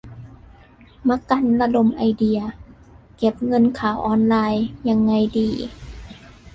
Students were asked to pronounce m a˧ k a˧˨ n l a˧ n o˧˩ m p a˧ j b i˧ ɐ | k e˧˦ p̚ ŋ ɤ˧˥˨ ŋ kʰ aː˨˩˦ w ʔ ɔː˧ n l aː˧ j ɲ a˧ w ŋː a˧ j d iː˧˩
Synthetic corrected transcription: m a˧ k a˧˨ n l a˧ d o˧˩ m ʔ a˧ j d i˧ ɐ | k e˧˦ p̚ ŋ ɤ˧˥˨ n kʰ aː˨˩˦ w ʔ ɔː˧ n l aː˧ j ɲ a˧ ŋː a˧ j d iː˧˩